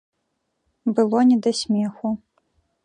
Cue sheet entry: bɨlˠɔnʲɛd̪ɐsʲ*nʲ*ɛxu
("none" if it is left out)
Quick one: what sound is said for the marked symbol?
mʲ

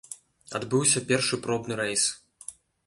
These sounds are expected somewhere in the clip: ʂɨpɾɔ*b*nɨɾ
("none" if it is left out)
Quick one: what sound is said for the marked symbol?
b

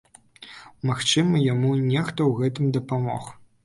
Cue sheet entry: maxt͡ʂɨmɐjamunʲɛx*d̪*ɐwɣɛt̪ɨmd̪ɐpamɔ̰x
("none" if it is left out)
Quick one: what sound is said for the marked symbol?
t̪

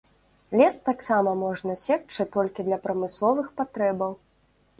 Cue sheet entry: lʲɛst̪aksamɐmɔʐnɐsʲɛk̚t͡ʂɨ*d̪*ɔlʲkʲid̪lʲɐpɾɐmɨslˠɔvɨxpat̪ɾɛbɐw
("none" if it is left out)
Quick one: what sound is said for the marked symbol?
t̪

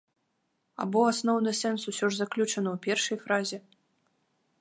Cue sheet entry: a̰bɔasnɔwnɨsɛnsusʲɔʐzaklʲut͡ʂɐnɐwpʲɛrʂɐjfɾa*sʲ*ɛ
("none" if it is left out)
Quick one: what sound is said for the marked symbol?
zʲ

